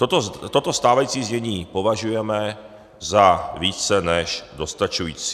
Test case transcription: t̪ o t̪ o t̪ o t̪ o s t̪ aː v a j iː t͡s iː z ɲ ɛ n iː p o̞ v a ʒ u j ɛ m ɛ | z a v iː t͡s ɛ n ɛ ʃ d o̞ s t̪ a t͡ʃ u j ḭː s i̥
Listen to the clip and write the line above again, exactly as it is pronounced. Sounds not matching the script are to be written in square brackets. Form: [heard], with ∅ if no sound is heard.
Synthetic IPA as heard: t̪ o t̪ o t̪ o t̪ o s t̪ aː v a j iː t͡s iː z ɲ ɛ [ɲ] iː p o̞ v a ʒ u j ɛ m ɛ | z a v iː t͡s ɛ n ɛ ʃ d o̞ s t̪ a t͡ʃ u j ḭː [t͡s] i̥